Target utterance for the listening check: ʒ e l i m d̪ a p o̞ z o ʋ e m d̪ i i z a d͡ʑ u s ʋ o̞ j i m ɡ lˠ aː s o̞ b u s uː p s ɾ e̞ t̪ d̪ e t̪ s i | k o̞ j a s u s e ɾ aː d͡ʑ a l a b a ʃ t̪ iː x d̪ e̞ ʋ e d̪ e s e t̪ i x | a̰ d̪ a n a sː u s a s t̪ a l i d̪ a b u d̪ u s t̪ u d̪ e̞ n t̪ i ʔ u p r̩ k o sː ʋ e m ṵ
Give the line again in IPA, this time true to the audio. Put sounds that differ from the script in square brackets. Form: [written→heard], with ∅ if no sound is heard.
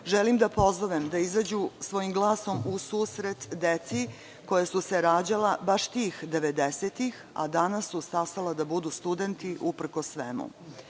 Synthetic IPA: ʒ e l i m d̪ a p o̞ z o ʋ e m d̪ [i→a] i z a d͡ʑ u s ʋ o̞ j i m ɡ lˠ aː s o̞ [b→m] u s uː [p→∅] s ɾ e̞ t̪ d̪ e t̪ s i | k o̞ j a s u s e ɾ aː d͡ʑ a l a b a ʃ t̪ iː x d̪ e̞ ʋ e d̪ e s e t̪ i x | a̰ d̪ a n a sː u s a s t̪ a l [i→a] d̪ a b u d̪ u s t̪ u d̪ e̞ n t̪ i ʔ u p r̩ k o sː ʋ e m ṵ

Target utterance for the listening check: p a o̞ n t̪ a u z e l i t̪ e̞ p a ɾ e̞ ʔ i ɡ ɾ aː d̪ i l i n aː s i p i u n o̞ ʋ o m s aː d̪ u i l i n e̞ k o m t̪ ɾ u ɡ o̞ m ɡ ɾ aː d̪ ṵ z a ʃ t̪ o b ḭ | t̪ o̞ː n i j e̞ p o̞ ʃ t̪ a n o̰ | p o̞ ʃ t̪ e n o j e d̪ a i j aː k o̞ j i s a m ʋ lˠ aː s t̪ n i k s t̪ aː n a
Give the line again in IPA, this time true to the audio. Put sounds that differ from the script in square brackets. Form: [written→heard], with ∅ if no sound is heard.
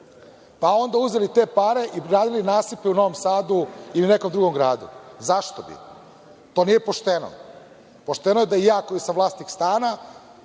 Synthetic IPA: p a o̞ n [t̪→d̪] a u z e l i t̪ e̞ p a ɾ e̞ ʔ i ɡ ɾ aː d̪ i l i n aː s i p [i→e] u n o̞ ʋ o m s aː d̪ u i l i n e̞ k o m [t̪→d̪] ɾ u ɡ o̞ m ɡ ɾ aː d̪ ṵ z a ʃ t̪ o b ḭ | t̪ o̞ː n i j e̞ p o̞ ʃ t̪ [a→e] n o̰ | p o̞ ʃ t̪ e n o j e d̪ a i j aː k o̞ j i s a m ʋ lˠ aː s t̪ n i k s t̪ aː n a

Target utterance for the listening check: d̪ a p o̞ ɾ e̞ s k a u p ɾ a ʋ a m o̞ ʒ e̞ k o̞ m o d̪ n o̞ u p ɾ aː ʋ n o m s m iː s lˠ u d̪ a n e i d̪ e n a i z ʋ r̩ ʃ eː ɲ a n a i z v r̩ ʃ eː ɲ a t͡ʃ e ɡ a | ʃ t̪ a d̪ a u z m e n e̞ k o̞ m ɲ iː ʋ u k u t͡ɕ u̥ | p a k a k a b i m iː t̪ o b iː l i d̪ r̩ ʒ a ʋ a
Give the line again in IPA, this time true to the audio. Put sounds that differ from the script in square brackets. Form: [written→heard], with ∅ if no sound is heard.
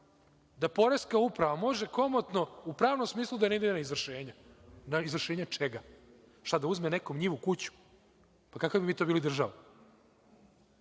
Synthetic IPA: d̪ a p o̞ ɾ e̞ s k a u p ɾ a ʋ a m o̞ ʒ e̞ k o̞ m o [d̪→t̪] n o̞ u p ɾ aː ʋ n o m s m iː s lˠ u d̪ a n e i d̪ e n a i z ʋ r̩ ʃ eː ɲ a n a i z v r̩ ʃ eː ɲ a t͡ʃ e ɡ a | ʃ t̪ a d̪ a u z m e n e̞ k o̞ m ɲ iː ʋ u k u t͡ɕ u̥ | p a k a k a b i m iː t̪ o b iː l i d̪ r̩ ʒ a ʋ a

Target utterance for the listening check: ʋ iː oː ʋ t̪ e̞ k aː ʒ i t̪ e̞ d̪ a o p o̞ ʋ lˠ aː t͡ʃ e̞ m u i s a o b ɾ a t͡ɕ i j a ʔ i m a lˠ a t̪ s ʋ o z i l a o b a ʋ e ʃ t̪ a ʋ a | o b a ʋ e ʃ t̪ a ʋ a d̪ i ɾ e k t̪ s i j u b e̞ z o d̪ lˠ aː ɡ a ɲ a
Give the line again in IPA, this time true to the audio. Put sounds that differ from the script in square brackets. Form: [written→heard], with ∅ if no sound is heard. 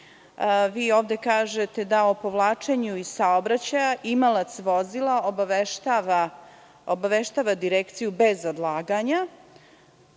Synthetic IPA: ʋ iː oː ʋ [t̪→d̪] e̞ k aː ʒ [i→e] t̪ e̞ d̪ a o p o̞ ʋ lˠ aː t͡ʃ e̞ [m→ɲ] u i s a o b ɾ a t͡ɕ [i→a] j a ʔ i m a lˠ a t̪ s ʋ o z i l a o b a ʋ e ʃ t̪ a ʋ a | o b a ʋ e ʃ t̪ a ʋ a d̪ i ɾ e k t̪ s i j u b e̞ z o d̪ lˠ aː ɡ a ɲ a

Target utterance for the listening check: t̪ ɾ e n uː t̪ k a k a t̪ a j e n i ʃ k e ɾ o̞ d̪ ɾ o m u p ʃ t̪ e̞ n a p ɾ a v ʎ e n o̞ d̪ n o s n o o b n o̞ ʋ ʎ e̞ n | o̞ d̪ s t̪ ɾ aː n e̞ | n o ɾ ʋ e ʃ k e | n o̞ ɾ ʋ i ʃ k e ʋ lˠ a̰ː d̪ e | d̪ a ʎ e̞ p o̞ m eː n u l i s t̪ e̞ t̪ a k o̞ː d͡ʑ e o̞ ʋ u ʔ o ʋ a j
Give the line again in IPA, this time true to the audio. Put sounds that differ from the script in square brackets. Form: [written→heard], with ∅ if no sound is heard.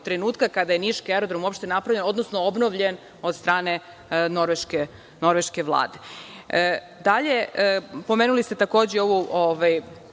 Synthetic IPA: t̪ ɾ e n uː t̪ k a k a [t̪→d̪] a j e n i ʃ k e ɾ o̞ d̪ ɾ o m u p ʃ t̪ e̞ n a p ɾ a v ʎ e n o̞ d̪ n o s n o o b n o̞ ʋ ʎ e̞ n | o̞ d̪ s t̪ ɾ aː n e̞ | n o ɾ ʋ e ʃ k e | n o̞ ɾ ʋ [i→e] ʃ k e ʋ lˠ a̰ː d̪ e | d̪ a ʎ e̞ p o̞ m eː n u l i s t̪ e̞ t̪ a k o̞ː d͡ʑ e o̞ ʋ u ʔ o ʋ a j

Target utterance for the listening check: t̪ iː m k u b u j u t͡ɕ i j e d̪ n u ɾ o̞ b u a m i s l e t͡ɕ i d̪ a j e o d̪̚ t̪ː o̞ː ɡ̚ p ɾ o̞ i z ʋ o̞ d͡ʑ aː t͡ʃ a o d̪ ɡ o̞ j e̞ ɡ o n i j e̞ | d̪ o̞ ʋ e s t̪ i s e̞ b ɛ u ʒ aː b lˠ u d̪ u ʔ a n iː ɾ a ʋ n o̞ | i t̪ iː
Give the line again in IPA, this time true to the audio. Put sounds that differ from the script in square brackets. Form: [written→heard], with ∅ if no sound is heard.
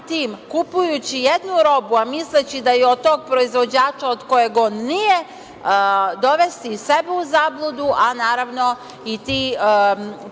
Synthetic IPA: t̪ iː m k u [b→p] u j u t͡ɕ i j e d̪ n u ɾ o̞ b u a m i s l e t͡ɕ i d̪ a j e o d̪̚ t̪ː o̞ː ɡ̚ p ɾ o̞ i z ʋ o̞ d͡ʑ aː t͡ʃ a o d̪ [ɡ→k] o̞ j e̞ ɡ o n i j e̞ | d̪ o̞ ʋ e s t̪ i s e̞ b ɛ u [ʒ→z] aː b lˠ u d̪ u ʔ a n [iː→aː] ɾ a ʋ n o̞ | i t̪ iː

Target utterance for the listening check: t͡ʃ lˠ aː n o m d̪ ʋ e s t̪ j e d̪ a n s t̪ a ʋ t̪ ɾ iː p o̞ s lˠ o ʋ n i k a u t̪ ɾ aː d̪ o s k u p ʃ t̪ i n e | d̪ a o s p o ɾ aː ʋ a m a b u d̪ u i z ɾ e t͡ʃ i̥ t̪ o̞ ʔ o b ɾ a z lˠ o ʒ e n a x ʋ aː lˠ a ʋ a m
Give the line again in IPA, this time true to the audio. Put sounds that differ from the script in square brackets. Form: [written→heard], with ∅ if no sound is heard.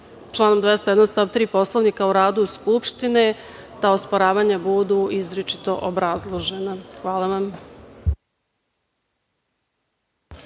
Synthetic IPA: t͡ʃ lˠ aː n o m d̪ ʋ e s t̪ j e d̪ a n s t̪ a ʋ t̪ ɾ iː p o̞ s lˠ o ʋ n i k a u [t̪→∅] ɾ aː d̪ [o→u] s k u p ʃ t̪ i n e | [d̪→t̪] a o s p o ɾ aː ʋ a [m→ɲ] a b u d̪ u i z ɾ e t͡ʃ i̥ t̪ o̞ ʔ o b ɾ a z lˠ o ʒ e n a x ʋ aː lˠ a ʋ a m

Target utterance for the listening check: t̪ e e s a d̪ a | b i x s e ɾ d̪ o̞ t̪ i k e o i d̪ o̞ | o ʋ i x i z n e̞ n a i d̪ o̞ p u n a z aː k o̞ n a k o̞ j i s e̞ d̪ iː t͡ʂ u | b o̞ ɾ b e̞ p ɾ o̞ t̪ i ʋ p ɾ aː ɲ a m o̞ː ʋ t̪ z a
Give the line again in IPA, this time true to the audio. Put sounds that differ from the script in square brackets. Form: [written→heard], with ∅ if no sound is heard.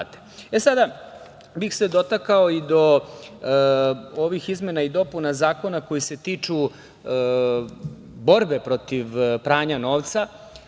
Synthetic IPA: t̪ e e s a d̪ a | b i x s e [ɾ→∅] d̪ o̞ t̪ [i→a] k [e→a] o i d̪ o̞ | o ʋ i x i z [n→m] e̞ n a i d̪ o̞ p u n a z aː k o̞ n a k o̞ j i s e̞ [d̪→t̪] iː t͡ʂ u | b o̞ ɾ b e̞ p ɾ o̞ t̪ i ʋ p ɾ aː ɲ a [m→n] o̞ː ʋ t̪ [z→s] a

